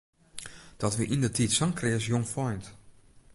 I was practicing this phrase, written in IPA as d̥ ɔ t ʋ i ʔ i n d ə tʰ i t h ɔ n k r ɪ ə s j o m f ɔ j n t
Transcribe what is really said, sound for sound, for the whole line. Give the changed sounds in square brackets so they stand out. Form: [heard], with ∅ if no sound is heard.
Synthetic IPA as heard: d̥ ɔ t ʋ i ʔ i n d ə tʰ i t [s] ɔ [ŋ] k r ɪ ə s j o [ŋ] f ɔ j n t

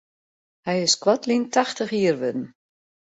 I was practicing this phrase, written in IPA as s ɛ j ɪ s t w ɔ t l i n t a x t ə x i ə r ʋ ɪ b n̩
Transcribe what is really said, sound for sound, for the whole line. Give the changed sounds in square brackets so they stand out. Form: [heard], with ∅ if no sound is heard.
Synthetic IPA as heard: [h] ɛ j ɪ s [k] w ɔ t l i n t a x t ə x i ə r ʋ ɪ [d] n̩

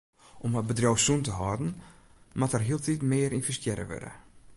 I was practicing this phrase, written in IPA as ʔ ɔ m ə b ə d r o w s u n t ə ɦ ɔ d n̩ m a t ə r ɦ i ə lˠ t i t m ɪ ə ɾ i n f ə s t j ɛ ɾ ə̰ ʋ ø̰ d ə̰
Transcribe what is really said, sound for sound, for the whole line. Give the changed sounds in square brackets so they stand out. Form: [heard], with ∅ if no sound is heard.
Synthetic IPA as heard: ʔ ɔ m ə b ə d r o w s u n t ə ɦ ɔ d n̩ m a t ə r ɦ i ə lˠ t i t m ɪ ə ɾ i n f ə s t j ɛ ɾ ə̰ ʋ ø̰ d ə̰

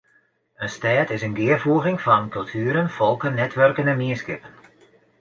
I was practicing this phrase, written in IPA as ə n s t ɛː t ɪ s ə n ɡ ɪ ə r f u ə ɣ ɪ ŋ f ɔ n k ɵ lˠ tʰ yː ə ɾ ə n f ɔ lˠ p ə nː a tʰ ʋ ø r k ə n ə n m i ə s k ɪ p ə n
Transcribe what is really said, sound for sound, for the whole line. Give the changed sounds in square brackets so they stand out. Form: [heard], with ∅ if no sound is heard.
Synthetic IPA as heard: ə n s t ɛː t ɪ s ə n ɡ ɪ ə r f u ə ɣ ɪ ŋ f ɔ n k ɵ lˠ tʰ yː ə ɾ ə n f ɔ lˠ [k] ə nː [ɛ] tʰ ʋ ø r k ə n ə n m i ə s k ɪ p ə n

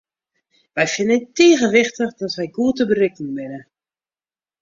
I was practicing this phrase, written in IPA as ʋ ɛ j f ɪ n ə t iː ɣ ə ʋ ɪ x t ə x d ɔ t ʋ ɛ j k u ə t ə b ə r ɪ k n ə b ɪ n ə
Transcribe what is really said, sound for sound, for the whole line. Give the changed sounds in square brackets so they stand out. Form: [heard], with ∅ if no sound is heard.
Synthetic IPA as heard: ʋ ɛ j f ɪ n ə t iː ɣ ə ʋ ɪ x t ə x d ɔ t ʋ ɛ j [ɡ] u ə t ə b ə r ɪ k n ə b ɪ n ə

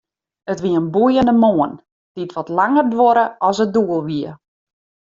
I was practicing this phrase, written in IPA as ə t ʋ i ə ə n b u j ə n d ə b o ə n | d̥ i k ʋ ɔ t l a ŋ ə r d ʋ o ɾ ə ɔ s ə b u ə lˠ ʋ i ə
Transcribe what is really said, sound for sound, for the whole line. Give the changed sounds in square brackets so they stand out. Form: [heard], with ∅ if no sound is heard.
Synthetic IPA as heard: ə t ʋ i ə ə n b u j ə n d ə [m] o ə n | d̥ i [t] ʋ ɔ t l a ŋ ə r d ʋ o ɾ ə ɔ s ə [d] u ə lˠ ʋ i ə

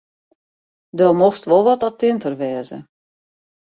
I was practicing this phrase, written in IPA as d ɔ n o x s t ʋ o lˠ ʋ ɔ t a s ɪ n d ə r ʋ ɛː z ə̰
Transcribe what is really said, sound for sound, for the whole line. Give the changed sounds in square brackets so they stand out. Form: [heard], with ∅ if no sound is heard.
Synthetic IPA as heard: d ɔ [m] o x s t ʋ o lˠ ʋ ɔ t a [t] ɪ n [t] ə r ʋ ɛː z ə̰

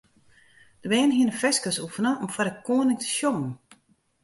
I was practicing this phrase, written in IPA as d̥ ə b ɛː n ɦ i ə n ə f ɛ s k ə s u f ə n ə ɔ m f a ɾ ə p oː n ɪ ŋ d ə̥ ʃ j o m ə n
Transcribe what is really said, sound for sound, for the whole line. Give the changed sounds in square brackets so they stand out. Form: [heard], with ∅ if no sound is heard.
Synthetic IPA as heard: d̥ ə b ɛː n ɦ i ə n ə f ɛ s k ə s u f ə n ə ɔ m f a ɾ ə [k] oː n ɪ ŋ [t] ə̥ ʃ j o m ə n

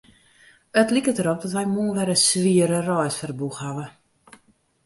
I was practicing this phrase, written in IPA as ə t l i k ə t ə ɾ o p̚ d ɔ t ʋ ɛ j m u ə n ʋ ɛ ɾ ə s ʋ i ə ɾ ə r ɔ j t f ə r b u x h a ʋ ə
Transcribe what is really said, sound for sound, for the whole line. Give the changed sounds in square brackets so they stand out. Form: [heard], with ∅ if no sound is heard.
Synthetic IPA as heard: ə t l i k ə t ə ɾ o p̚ d ɔ t ʋ ɛ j m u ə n ʋ ɛ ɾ ə s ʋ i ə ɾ ə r ɔ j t f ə r b u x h a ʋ ə

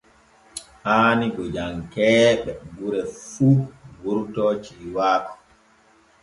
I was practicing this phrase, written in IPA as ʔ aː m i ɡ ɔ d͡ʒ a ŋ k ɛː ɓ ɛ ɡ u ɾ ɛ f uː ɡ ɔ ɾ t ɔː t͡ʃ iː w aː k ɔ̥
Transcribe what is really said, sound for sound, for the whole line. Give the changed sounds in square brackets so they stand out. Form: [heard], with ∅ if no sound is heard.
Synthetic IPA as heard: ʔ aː [n] i ɡ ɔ d͡ʒ a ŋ k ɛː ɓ ɛ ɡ u ɾ ɛ f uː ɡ [u] ɾ t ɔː t͡ʃ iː w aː k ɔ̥

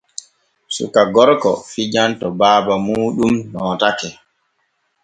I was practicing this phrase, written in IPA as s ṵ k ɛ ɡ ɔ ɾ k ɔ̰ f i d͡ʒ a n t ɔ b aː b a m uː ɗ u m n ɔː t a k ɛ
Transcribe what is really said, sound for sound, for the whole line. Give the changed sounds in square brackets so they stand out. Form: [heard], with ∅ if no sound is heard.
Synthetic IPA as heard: s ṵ k [a] ɡ ɔ ɾ k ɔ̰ f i d͡ʒ a n t ɔ b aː b a m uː ɗ u m n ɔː t a k ɛ

